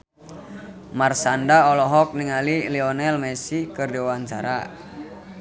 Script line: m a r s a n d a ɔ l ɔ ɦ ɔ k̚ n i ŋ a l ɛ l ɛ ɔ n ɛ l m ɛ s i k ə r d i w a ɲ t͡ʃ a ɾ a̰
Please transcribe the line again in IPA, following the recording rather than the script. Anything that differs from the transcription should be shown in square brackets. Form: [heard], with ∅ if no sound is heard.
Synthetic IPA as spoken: m a r s a n d a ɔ l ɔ ɦ ɔ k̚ n i ŋ a l [i] l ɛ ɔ n ɛ l m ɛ s i k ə r d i w a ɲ t͡ʃ a ɾ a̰